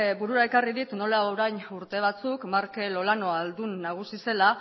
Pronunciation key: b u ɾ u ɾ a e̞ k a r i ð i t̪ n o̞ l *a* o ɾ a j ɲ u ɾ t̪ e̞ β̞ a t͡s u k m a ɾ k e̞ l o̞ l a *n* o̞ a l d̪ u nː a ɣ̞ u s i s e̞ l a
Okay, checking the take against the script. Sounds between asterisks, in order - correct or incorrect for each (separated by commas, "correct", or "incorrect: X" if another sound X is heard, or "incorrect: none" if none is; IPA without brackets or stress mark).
correct, correct